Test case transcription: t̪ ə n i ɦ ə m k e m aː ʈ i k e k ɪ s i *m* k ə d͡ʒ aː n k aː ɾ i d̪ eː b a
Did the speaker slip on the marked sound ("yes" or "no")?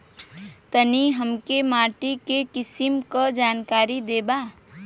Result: no